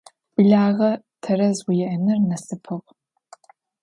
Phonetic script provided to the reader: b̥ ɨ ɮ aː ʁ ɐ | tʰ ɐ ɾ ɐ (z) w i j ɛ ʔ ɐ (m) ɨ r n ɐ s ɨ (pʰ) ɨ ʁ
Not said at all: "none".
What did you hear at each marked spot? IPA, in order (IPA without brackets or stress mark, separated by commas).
z, n, pʰ